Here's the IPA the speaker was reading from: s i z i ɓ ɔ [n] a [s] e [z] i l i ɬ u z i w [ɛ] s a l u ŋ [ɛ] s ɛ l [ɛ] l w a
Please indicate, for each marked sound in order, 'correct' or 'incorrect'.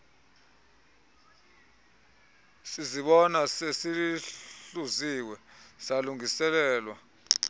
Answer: correct, correct, incorrect, correct, incorrect, incorrect

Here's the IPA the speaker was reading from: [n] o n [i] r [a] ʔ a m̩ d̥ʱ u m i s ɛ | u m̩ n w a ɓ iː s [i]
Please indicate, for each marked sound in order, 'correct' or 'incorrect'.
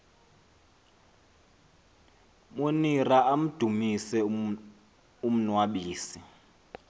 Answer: incorrect, correct, correct, correct

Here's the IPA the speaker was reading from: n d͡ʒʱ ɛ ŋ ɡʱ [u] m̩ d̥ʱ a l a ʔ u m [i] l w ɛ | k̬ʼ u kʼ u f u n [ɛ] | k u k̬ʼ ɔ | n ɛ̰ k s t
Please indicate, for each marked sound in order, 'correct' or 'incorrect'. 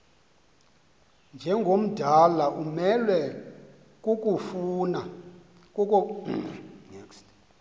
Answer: incorrect, incorrect, incorrect

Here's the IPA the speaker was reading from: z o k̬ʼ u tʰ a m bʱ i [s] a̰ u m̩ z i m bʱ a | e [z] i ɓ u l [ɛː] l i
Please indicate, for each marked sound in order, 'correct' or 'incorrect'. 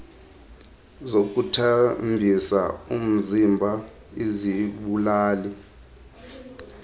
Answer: correct, correct, incorrect

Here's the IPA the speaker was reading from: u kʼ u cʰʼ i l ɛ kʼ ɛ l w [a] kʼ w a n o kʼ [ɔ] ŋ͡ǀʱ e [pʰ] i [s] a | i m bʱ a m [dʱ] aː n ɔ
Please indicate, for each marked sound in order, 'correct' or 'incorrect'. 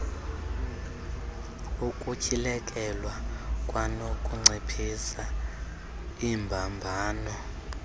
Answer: correct, incorrect, correct, correct, incorrect

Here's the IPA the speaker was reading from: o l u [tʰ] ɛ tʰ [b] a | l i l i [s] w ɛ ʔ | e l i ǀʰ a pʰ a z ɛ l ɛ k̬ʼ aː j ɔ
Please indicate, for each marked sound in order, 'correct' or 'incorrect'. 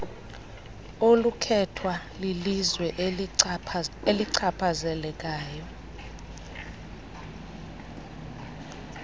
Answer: incorrect, incorrect, incorrect

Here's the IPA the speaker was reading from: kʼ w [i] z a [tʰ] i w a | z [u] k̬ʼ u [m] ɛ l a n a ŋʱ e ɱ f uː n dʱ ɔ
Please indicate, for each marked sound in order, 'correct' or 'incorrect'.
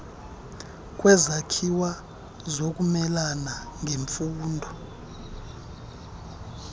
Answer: incorrect, incorrect, incorrect, correct

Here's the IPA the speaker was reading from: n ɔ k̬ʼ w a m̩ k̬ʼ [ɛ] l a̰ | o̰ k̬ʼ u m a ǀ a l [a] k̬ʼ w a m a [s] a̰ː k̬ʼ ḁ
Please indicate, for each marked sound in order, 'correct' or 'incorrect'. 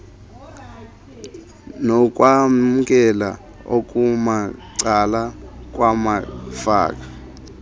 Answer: correct, correct, incorrect

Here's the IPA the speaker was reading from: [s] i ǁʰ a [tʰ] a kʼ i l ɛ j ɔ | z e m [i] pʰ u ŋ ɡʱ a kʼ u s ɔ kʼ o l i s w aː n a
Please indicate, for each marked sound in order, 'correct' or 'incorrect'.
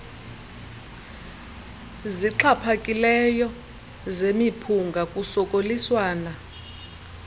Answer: incorrect, incorrect, correct

